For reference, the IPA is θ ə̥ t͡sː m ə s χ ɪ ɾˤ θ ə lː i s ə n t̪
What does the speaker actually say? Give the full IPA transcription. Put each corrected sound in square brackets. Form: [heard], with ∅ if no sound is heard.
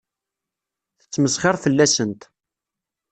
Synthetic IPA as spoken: θ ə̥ t͡sː m ə s χ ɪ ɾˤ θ ə lː [æ] s ə n t̪